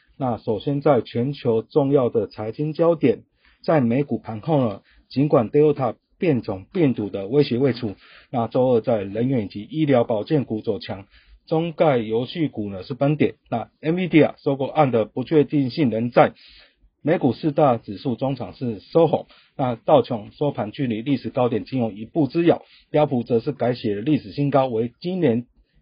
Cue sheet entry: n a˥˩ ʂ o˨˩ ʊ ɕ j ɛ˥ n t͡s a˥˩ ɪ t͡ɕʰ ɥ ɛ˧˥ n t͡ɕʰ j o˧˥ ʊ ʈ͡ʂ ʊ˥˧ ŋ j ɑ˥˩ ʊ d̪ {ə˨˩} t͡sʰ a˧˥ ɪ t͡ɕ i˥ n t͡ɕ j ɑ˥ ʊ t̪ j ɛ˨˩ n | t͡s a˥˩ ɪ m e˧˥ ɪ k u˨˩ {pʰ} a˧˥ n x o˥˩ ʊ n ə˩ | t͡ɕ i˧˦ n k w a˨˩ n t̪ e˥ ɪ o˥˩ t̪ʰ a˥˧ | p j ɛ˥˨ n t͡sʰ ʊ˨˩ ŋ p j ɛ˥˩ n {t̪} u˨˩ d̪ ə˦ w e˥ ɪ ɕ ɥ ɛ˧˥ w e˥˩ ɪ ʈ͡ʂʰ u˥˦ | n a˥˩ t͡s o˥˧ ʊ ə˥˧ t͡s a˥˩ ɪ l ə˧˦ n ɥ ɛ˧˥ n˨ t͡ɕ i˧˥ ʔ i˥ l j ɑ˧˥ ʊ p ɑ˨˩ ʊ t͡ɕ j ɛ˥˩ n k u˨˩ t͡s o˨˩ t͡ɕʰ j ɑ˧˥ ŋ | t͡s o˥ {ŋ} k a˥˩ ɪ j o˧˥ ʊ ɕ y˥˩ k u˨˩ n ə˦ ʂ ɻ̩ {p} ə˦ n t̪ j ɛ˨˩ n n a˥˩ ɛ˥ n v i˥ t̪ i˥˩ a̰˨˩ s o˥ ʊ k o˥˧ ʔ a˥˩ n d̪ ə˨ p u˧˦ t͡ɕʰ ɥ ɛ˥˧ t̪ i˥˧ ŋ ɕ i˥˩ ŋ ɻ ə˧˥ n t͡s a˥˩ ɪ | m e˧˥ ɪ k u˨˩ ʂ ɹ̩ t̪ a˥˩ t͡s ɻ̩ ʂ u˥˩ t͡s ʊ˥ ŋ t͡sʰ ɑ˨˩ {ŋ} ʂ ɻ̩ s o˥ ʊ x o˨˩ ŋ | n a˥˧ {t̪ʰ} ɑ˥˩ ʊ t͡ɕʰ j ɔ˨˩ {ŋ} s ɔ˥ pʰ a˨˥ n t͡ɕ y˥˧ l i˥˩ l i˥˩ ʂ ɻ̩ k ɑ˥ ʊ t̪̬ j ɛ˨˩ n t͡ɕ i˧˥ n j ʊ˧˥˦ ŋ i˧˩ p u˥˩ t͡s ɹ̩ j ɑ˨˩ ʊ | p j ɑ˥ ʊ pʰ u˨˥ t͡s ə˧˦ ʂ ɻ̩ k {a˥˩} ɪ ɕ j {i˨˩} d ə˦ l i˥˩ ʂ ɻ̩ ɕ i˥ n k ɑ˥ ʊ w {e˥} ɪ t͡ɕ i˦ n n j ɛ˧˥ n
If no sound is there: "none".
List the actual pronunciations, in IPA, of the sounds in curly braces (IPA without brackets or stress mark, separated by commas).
ə˨˩, pʰ, t̪, ŋ, p, ŋ, t̪, ŋ, a˧˥, ɛ˨˩, e˧˥